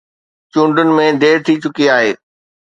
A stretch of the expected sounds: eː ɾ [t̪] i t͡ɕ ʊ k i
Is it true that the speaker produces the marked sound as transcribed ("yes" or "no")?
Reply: no